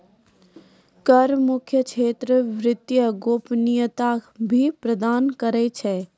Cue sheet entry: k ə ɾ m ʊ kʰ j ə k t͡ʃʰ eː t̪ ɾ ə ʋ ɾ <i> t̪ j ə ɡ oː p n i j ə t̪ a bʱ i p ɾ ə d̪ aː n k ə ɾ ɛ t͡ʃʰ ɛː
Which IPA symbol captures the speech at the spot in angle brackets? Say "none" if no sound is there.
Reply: ɪ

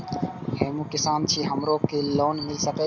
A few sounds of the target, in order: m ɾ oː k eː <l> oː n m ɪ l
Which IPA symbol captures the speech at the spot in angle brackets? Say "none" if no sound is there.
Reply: l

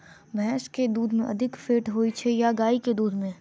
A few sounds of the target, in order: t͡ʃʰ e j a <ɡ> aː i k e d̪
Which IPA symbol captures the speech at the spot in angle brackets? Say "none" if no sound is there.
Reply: ɡ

